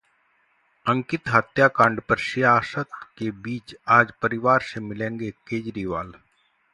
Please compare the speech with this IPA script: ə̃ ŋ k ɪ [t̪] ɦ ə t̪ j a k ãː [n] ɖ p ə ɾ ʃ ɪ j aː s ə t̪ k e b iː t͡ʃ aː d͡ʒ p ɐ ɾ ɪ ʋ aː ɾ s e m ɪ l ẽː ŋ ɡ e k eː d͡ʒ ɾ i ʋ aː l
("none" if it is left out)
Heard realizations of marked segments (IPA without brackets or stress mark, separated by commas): t̪, ɳ